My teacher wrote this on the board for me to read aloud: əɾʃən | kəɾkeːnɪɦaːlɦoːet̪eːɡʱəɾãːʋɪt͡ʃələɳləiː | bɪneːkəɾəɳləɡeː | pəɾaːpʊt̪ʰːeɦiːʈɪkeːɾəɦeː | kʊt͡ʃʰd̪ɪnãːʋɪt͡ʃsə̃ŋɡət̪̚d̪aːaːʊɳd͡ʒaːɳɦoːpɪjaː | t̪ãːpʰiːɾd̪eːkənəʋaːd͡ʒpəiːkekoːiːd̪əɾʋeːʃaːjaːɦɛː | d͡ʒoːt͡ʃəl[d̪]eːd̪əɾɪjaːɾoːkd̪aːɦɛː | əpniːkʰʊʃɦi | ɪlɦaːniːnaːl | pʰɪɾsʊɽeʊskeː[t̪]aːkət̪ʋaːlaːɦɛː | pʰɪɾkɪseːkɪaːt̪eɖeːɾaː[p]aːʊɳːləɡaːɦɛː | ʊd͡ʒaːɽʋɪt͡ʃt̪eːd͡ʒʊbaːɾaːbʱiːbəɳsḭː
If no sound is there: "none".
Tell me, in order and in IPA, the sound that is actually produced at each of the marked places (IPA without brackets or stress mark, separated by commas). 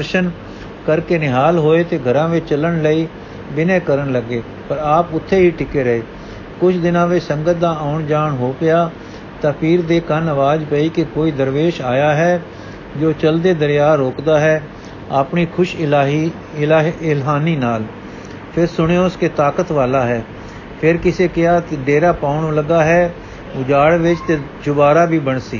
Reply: d̪, t̪, p